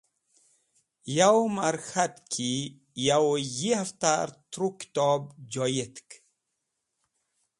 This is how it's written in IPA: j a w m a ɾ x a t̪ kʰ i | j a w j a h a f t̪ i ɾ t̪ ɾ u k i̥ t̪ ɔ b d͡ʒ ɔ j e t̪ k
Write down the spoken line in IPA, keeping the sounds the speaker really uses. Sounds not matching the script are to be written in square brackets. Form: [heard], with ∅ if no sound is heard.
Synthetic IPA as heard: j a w m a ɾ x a t̪ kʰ i | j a w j [i] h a f t̪ [a] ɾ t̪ ɾ u k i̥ t̪ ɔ b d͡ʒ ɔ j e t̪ k